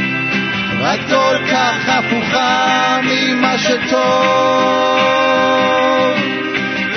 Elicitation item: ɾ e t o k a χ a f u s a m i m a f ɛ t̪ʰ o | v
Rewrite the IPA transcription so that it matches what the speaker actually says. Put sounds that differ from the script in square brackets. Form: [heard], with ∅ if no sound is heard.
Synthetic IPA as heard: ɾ [a] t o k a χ a f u [χ] a m i m a [ʃ] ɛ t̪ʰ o | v